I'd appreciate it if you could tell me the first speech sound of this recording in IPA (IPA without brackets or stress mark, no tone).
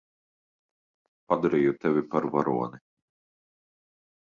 p